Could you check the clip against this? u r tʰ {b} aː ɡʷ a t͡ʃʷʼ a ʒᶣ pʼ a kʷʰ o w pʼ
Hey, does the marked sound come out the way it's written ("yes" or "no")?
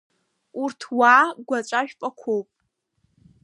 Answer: no